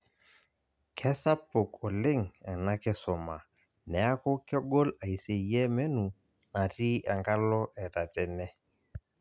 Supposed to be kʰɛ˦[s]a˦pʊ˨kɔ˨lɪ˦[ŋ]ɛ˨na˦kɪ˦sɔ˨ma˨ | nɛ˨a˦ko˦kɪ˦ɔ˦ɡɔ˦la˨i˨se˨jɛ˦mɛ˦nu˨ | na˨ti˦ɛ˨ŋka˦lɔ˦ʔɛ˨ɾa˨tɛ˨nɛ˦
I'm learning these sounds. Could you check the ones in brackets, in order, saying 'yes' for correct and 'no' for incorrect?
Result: yes, yes

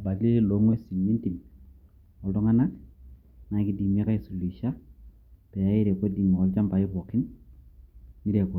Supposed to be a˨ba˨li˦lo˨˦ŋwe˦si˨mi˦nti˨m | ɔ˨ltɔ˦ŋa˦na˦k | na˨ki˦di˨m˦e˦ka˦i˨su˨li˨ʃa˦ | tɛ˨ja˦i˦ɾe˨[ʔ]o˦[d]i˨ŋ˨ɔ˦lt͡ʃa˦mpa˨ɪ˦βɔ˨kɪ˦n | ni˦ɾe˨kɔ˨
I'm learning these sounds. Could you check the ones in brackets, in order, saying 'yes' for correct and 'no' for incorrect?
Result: no, yes

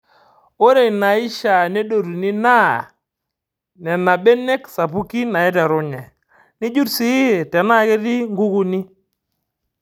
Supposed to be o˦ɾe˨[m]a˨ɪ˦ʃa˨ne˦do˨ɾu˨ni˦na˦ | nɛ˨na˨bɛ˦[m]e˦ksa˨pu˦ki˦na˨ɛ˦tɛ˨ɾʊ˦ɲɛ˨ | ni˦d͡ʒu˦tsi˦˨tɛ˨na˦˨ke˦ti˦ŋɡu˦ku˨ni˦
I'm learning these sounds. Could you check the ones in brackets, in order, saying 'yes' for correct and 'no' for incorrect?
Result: no, no

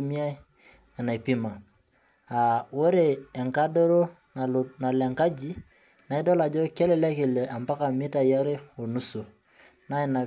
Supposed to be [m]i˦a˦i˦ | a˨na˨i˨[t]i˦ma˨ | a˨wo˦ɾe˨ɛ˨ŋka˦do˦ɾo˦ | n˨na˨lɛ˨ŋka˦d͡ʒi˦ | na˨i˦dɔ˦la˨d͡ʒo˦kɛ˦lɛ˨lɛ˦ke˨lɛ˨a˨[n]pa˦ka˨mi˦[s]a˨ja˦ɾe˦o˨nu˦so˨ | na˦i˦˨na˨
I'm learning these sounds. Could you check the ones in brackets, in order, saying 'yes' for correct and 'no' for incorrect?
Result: yes, no, no, no

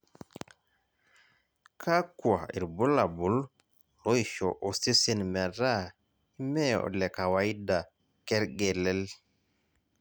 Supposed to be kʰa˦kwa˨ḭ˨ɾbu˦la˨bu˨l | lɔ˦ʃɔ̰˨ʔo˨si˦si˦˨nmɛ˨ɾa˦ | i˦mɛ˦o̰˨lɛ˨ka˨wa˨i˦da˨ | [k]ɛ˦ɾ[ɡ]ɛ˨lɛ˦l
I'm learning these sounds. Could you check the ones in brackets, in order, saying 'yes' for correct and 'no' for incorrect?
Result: yes, yes

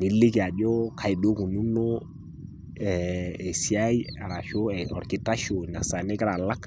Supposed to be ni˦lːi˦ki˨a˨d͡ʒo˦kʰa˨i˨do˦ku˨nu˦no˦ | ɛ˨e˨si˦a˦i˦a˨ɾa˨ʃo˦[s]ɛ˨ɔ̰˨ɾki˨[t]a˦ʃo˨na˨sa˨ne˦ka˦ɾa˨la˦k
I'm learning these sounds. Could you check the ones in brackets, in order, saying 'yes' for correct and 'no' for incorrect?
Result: no, yes

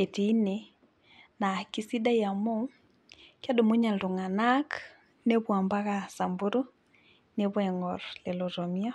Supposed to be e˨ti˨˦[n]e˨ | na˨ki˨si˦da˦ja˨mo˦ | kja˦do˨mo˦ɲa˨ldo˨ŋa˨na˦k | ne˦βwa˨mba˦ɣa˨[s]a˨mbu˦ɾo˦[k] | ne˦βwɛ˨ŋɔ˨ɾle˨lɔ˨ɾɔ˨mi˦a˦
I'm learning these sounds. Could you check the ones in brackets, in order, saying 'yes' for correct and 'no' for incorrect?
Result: yes, yes, no

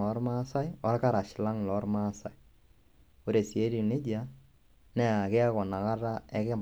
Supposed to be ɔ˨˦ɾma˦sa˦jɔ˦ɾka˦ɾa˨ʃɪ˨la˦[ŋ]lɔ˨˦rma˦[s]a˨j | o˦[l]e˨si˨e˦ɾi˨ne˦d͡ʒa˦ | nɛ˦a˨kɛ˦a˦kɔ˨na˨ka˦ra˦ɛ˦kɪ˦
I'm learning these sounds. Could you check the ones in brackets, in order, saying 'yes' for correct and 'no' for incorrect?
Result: yes, yes, no

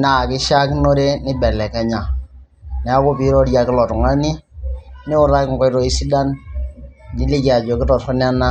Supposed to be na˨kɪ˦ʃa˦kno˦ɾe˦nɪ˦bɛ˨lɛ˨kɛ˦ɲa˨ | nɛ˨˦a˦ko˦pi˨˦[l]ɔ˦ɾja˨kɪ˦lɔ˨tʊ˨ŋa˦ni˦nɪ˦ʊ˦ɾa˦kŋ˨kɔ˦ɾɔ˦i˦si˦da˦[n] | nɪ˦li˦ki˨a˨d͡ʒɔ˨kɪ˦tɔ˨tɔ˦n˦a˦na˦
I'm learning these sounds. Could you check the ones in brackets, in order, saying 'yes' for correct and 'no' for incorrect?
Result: no, yes

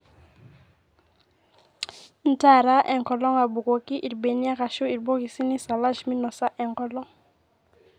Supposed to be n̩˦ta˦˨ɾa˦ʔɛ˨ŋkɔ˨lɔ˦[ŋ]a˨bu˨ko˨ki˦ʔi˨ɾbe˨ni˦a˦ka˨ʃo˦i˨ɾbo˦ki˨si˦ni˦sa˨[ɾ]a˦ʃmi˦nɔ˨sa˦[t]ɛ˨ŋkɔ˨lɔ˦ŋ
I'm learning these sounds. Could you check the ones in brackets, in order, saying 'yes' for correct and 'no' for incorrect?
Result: yes, no, no

